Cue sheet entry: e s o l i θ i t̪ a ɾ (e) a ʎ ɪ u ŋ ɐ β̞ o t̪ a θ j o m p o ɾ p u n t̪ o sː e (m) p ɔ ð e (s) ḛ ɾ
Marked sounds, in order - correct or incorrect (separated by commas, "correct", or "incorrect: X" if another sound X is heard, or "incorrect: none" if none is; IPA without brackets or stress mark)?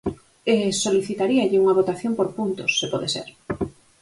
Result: incorrect: i, incorrect: none, correct